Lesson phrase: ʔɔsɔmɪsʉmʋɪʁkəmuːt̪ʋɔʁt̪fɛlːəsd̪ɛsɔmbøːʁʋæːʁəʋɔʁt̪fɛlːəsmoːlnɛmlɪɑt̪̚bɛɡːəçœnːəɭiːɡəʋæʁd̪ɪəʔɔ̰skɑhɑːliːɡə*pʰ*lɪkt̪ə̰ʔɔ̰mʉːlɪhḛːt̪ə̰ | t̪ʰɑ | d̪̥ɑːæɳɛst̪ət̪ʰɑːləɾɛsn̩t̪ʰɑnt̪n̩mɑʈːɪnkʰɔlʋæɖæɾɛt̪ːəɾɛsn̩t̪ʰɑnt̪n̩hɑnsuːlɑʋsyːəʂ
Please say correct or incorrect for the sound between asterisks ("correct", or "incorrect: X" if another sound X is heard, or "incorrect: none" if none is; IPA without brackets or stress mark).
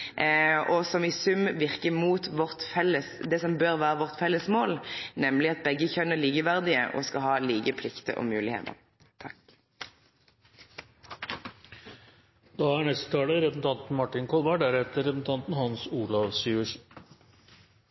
correct